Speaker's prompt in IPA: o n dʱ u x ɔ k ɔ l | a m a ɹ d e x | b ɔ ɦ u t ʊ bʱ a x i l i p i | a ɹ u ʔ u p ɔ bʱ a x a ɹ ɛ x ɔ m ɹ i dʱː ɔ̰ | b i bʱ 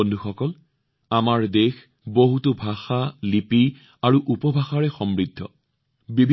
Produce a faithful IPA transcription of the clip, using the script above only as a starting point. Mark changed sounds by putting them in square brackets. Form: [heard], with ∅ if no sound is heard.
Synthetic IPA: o n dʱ u x ɔ k ɔ l | a m a ɹ d e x | b [o] ɦ u t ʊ bʱ a x [a] l i p i | a ɹ u ʔ u p ɔ bʱ a x a ɹ ɛ x ɔ m ɹ i dʱː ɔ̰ | b i bʱ